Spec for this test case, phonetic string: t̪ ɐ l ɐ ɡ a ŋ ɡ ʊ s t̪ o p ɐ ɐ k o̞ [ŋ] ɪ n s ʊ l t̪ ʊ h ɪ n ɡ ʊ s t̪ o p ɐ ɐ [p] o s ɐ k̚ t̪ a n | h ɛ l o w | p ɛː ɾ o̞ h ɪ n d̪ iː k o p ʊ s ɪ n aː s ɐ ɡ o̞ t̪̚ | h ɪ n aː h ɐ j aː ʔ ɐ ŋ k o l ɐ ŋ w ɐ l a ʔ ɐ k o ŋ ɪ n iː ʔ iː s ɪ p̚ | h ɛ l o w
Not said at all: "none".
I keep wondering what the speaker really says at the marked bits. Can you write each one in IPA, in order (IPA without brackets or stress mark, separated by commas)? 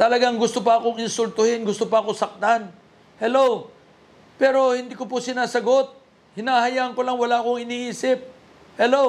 ŋ, k